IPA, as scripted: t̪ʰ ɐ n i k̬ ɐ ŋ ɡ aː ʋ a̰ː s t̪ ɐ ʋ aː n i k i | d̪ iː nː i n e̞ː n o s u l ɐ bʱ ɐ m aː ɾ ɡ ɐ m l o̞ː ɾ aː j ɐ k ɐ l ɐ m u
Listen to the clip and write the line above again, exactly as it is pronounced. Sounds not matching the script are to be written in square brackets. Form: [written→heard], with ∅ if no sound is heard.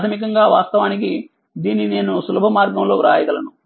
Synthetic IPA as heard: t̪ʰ ɐ [n→m] i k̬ ɐ ŋ ɡ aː ʋ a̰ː s t̪ ɐ ʋ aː n i k i | d̪ iː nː i n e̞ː n [o→u] s u l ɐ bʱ ɐ m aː ɾ ɡ ɐ m l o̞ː ɾ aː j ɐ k ɐ l ɐ [m→n] u